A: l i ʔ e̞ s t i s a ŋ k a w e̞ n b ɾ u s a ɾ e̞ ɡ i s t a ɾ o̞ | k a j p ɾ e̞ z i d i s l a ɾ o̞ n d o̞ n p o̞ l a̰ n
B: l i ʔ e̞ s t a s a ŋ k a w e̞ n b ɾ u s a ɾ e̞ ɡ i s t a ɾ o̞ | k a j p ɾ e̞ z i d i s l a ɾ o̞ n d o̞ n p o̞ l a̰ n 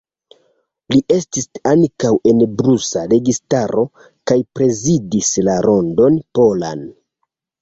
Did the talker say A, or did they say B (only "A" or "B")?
A